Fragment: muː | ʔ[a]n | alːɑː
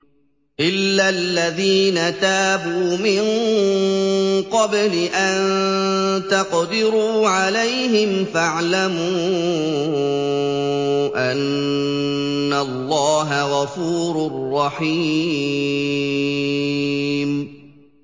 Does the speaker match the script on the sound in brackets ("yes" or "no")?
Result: yes